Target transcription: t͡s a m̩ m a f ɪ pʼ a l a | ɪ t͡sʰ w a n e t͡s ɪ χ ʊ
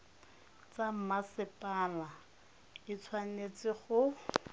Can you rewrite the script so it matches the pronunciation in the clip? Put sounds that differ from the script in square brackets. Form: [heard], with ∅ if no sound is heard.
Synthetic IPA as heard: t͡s a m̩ m a [s] ɪ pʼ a l a | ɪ t͡sʰ w a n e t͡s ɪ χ ʊ